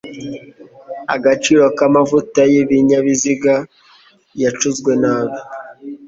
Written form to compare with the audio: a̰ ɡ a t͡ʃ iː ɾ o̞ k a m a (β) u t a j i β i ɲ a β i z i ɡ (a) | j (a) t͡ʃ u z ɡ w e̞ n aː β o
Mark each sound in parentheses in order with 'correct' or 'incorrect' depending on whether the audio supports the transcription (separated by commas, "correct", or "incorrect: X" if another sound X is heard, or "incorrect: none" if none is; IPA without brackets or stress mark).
incorrect: v, correct, correct